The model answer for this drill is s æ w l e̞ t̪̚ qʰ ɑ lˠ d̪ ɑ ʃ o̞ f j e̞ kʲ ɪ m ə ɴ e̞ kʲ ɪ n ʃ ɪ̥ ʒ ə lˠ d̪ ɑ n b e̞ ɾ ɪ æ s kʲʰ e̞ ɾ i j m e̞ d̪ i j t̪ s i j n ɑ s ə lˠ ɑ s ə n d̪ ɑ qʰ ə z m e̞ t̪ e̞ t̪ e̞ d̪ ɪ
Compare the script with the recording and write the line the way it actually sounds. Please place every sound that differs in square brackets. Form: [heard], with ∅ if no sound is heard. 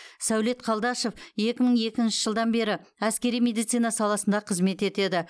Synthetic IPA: s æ w l e̞ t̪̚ qʰ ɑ lˠ d̪ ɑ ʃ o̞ f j e̞ kʲ ɪ m ə ɴ e̞ kʲ ɪ n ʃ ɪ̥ ʒ ə lˠ d̪ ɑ n b e̞ ɾ ɪ æ s [kʲ] e̞ ɾ i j m e̞ d̪ i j t̪ s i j n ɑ s [ɑ] lˠ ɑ s ə n d̪ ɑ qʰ ə z m e̞ t̪ e̞ t̪ e̞ d̪ ɪ